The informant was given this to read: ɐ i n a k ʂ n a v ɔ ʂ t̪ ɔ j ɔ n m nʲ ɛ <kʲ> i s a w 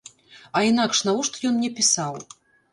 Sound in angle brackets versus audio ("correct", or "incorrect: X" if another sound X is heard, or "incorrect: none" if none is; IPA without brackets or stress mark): incorrect: pʲ